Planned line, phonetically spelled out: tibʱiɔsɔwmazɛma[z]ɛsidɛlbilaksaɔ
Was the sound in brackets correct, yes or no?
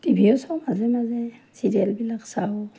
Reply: yes